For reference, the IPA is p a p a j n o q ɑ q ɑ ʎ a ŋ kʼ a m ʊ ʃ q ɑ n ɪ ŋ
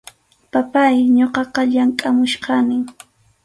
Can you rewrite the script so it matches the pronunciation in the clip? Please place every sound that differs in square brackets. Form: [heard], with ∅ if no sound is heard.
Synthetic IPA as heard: p a p a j [ɲ] o q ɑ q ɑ ʎ a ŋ kʼ a m ʊ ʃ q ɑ n ɪ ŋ